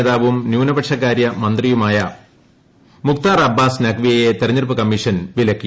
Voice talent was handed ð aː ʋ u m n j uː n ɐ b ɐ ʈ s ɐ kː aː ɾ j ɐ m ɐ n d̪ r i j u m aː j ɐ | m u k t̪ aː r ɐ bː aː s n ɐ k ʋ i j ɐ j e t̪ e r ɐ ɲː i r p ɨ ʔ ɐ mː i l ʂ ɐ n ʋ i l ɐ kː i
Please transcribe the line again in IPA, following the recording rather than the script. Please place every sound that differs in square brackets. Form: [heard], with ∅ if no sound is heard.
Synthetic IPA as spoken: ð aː ʋ u m n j uː n ɐ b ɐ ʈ [ʂ] ɐ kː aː ɾ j ɐ m ɐ n d̪ r i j u m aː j ɐ | m u k t̪ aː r ɐ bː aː s n ɐ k ʋ i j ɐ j e t̪ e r ɐ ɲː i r p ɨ [k] ɐ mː i [∅] ʂ ɐ n ʋ i l ɐ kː i